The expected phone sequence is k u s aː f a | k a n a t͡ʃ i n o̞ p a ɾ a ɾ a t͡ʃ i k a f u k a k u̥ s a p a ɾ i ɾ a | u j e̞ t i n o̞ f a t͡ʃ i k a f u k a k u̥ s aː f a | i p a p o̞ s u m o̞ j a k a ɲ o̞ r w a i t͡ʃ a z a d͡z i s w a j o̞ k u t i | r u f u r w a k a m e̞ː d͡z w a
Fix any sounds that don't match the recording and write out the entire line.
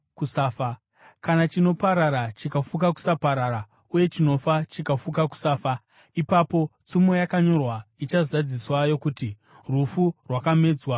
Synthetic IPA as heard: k u s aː f a | k a n a t͡ʃ i n o̞ p a ɾ a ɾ a t͡ʃ i k a f u k a k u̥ s a p a ɾ a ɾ a | u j e̞ t͡ʃ i n o̞ f a t͡ʃ i k a f u k a k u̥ s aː f a | i p a p o̞ t͡s u m o̞ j a k a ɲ o̞ r w a i t͡ʃ a z a d͡z i s w a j o̞ k u t i | r u f u r w a k a m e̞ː d͡z w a